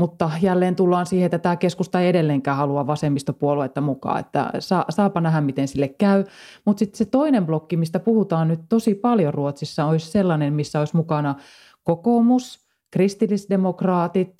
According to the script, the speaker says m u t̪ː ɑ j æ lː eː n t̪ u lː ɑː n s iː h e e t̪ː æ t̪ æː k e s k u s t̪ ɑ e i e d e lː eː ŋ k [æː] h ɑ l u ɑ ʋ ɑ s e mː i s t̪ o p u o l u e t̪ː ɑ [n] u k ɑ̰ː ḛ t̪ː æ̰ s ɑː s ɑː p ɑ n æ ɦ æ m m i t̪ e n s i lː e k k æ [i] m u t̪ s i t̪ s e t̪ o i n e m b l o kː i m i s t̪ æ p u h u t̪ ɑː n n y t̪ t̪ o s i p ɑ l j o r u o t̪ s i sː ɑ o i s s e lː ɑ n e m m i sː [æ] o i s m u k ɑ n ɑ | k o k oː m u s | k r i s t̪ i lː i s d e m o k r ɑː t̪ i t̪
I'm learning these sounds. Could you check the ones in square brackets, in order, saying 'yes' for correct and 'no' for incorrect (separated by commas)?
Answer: yes, no, no, yes